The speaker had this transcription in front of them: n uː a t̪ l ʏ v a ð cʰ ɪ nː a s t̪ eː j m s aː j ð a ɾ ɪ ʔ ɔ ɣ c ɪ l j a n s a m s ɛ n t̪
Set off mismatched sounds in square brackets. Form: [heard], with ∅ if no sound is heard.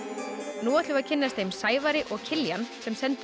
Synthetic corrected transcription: n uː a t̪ l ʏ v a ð cʰ ɪ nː a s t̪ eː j m s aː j [v] a ɾ ɪ ʔ ɔ ɣ [cʰ] ɪ l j a n s [ɛ] m s ɛ n t̪